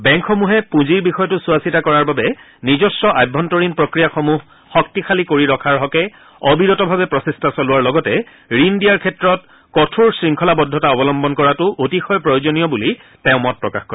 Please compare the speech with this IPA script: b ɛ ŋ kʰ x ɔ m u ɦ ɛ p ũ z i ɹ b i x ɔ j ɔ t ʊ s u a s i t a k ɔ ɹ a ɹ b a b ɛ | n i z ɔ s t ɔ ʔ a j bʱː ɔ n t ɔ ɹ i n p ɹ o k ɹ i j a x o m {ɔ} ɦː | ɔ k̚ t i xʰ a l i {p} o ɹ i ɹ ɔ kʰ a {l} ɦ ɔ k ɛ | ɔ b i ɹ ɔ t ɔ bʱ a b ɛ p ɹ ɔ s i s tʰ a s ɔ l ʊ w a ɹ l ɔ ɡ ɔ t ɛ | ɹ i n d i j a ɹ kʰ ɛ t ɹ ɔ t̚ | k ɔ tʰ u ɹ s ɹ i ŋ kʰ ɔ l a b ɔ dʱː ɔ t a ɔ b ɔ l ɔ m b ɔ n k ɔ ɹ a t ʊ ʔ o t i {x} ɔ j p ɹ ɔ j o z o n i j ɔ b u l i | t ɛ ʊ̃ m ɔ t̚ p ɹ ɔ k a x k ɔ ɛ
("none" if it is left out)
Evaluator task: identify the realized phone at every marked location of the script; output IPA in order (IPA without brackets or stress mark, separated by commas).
u, k, ɹ, x